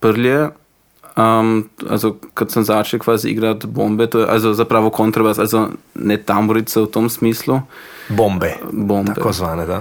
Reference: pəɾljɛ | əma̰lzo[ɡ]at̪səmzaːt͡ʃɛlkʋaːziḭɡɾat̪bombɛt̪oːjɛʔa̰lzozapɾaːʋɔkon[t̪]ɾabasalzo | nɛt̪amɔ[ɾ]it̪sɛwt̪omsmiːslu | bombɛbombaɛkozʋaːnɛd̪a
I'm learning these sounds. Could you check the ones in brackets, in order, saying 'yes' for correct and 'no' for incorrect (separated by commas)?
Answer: no, yes, yes